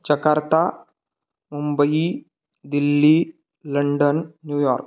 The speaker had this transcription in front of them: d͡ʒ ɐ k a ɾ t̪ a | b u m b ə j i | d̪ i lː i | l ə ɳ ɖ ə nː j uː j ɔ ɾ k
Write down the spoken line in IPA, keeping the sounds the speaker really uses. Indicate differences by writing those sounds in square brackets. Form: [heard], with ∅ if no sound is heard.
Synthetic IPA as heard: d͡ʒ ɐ k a ɾ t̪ a | [m] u m b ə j i | d̪ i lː i | l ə ɳ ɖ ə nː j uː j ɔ ɾ k